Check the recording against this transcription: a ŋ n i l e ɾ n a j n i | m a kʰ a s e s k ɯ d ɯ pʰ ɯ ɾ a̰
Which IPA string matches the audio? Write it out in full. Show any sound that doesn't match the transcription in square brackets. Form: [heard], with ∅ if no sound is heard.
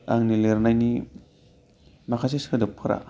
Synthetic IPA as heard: a ŋ n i l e ɾ n a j n i | m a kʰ a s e s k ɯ d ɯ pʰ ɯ ɾ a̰